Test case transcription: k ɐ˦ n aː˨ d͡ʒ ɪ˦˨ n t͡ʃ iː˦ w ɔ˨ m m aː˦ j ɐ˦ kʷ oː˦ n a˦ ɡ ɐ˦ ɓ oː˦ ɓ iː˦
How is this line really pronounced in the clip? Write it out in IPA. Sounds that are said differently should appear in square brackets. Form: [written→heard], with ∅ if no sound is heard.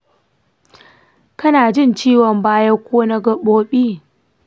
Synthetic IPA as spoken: k ɐ˦ n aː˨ d͡ʒ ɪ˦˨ n t͡ʃ iː˦ w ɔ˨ m [m→b] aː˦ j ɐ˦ kʷ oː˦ n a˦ ɡ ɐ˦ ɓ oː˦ ɓ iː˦